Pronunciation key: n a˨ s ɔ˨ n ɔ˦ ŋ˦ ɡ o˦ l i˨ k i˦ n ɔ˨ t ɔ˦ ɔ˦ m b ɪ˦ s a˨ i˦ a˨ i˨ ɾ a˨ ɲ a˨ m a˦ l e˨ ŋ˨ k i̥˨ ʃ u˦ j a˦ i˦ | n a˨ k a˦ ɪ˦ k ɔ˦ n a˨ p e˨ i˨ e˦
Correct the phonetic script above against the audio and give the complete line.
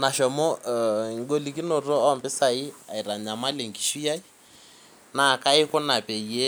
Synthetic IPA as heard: n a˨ ʃ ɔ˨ m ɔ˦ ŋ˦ ɡ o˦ l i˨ k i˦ n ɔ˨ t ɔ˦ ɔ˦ m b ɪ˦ s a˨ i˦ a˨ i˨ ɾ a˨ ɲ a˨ m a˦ l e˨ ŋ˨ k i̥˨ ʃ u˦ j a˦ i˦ | n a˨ k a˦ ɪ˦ k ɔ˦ n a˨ p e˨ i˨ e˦